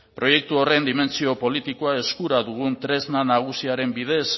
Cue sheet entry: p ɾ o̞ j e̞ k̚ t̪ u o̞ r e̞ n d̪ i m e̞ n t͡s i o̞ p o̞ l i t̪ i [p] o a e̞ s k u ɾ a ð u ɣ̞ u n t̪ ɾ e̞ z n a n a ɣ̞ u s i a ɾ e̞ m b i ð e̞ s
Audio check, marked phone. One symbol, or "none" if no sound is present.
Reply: k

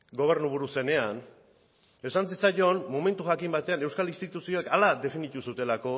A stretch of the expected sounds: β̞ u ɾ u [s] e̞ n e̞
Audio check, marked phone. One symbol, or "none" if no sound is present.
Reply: s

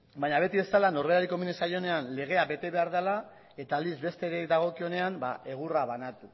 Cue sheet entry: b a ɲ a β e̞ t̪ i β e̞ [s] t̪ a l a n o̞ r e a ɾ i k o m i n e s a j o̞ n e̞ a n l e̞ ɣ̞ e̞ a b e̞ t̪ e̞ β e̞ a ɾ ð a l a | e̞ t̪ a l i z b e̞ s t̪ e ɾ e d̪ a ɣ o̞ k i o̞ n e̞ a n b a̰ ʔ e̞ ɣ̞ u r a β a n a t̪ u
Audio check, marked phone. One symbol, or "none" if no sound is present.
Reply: s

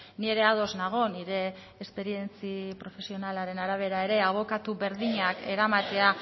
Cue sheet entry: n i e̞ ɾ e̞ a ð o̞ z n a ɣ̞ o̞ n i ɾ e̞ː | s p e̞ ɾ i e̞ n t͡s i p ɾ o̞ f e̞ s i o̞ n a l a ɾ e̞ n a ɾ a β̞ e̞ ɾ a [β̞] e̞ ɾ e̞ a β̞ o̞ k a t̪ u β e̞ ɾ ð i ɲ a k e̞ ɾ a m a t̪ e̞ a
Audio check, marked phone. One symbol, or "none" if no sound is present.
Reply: none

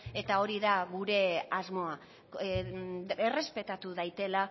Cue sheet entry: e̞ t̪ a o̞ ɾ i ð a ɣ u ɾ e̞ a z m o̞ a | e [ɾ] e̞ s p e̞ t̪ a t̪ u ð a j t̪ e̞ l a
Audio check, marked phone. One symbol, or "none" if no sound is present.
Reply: r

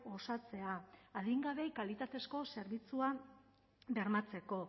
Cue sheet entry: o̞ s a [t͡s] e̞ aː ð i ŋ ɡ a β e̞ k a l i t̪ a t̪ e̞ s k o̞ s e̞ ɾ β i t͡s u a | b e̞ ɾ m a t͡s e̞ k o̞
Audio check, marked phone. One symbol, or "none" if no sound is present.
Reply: t͡s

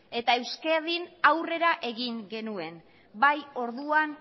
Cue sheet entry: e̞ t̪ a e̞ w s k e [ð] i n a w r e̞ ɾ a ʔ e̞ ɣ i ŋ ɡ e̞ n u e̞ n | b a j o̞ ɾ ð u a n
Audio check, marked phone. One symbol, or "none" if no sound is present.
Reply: ð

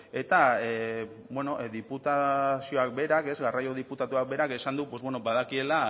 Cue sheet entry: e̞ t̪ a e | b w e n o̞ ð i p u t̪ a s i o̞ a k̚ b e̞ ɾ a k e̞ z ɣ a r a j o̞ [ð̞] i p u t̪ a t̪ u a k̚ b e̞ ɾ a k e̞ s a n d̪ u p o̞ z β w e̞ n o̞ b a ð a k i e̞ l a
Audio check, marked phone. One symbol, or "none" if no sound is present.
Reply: ð̞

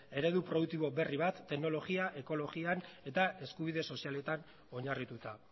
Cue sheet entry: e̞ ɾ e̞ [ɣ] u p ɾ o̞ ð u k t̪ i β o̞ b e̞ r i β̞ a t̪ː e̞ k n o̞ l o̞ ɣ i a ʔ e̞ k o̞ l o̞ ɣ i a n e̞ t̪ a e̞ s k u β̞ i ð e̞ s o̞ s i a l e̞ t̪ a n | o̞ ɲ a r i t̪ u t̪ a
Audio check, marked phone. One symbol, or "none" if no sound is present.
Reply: ð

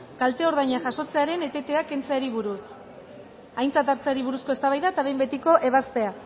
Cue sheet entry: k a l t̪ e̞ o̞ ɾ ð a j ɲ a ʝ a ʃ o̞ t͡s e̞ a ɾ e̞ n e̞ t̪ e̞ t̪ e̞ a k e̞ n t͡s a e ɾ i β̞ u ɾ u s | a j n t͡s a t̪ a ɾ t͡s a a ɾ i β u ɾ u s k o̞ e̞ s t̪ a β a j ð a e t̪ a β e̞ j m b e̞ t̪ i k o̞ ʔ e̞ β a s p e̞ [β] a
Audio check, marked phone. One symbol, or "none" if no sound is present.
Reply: none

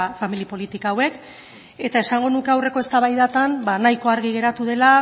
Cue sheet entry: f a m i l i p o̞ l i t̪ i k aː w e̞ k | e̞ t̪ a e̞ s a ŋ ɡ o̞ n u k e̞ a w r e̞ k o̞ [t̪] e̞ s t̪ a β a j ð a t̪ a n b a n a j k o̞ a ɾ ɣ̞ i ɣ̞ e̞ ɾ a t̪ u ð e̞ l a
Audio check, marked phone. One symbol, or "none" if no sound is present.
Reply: none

